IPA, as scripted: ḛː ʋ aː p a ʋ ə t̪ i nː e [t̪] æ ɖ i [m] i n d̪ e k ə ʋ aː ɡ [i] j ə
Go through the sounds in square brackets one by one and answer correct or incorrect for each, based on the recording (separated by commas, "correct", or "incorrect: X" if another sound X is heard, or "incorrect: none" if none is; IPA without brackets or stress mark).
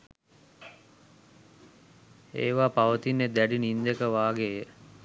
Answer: incorrect: d̪, incorrect: n, incorrect: e